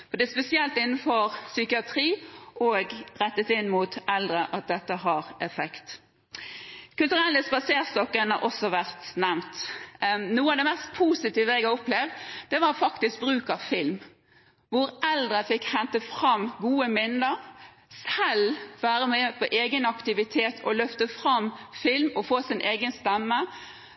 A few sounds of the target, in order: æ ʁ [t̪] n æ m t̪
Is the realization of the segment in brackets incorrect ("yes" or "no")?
no